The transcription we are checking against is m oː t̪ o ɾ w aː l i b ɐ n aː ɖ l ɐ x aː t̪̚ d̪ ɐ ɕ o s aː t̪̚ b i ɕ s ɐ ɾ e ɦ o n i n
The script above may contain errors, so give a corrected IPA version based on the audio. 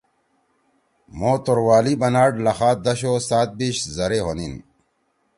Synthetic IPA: m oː t̪ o ɾ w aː l i b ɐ n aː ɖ l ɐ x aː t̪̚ d̪ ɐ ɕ o s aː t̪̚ b i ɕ z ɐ ɾ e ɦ o n i n